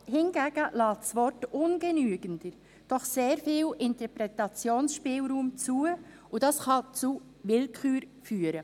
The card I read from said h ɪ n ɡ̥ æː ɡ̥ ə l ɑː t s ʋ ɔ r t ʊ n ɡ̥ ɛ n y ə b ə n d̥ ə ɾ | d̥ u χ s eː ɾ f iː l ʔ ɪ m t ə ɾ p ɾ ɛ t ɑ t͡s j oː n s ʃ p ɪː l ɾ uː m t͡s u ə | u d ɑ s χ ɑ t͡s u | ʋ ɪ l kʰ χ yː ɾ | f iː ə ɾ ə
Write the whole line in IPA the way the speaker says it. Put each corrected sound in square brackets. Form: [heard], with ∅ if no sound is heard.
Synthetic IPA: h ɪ n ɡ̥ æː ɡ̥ ə l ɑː t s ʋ ɔ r t ʊ n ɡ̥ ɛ n y ə [ɡ] ə n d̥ ə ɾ | d̥ [ɔ] χ s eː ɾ f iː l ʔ ɪ [n] t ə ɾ p ɾ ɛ t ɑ t͡s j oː n s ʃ p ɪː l ɾ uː m t͡s u ə | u d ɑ s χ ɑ t͡s u | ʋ ɪ l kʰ χ yː ɾ | f [yː] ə ɾ ə